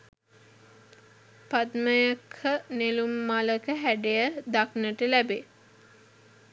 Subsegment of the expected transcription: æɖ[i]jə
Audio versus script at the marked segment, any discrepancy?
yes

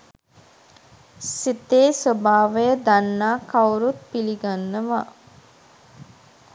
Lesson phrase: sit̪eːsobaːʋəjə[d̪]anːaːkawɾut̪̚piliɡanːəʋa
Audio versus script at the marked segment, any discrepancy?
no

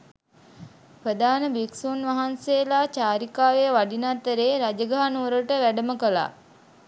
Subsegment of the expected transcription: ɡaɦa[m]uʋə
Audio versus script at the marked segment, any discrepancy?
yes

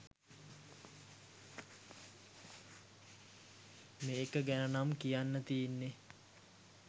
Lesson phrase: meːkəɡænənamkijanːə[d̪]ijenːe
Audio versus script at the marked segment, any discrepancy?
yes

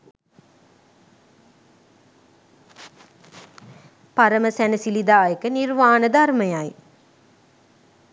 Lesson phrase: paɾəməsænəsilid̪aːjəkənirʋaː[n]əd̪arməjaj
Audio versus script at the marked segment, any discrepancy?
no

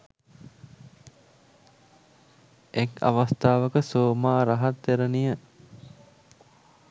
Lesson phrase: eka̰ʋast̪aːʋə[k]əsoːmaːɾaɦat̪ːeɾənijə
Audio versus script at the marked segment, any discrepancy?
no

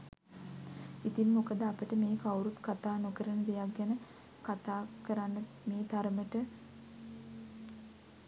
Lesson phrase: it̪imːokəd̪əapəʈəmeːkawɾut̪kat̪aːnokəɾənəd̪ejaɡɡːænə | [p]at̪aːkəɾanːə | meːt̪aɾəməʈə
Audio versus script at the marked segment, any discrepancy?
yes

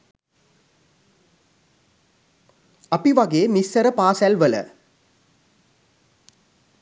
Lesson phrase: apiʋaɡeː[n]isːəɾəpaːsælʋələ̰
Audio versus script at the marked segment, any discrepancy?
yes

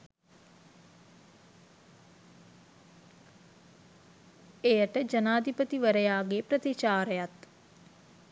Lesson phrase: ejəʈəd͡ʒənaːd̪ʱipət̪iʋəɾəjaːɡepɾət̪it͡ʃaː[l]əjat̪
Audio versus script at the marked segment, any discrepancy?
yes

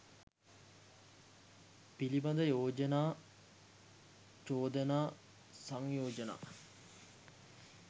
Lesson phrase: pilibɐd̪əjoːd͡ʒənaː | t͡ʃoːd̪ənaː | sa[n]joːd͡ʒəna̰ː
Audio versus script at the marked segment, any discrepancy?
yes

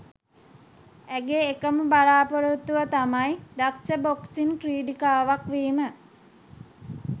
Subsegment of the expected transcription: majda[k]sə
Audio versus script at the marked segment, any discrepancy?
no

